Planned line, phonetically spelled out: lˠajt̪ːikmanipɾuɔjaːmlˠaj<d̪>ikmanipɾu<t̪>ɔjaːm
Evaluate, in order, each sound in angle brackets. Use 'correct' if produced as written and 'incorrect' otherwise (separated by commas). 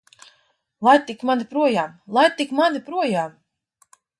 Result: incorrect, incorrect